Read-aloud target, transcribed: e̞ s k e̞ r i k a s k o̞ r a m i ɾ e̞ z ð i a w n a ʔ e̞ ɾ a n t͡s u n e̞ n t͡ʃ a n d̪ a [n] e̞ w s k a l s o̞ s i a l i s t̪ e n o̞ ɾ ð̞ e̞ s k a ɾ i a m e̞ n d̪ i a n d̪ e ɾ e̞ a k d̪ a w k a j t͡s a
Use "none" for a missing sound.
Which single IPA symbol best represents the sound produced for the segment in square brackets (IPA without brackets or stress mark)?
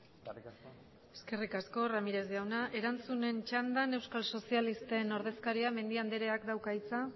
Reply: n